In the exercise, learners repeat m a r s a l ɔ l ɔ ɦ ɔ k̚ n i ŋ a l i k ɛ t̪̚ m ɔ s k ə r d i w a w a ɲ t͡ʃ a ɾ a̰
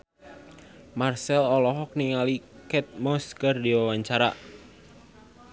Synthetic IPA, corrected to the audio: m a r s ɛ l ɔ l ɔ ɦ ɔ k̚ n i ŋ a l i k ɛ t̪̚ m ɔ s k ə r d i w a w a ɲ t͡ʃ a ɾ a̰